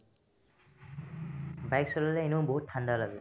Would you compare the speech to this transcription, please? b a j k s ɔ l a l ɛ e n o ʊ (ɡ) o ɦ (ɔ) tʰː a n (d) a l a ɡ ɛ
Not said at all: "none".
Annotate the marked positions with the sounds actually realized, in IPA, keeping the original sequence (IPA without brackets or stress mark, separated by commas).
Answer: b, u, d